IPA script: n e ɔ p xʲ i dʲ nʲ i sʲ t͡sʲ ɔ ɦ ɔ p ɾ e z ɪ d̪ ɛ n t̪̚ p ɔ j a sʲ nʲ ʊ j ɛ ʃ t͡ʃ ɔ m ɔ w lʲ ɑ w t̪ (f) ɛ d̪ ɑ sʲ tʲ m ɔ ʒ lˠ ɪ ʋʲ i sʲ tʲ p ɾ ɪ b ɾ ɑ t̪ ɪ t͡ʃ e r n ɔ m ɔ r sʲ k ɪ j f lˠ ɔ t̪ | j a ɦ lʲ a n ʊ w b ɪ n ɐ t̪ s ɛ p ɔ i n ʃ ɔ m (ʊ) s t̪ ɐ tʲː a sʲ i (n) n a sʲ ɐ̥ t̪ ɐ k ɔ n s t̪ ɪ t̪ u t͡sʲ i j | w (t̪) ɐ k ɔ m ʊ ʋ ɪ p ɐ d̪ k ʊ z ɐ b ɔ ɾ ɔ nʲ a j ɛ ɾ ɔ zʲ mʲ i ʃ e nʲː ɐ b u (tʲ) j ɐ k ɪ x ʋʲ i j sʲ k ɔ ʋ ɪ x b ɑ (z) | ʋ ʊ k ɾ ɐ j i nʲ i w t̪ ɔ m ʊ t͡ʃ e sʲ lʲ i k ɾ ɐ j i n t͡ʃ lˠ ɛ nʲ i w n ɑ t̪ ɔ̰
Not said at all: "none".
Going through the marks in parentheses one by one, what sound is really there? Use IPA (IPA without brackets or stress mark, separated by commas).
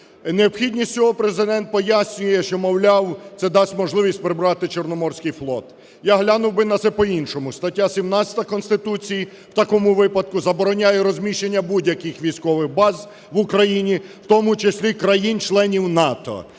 s, ʊ, m, t̪, dʲ, z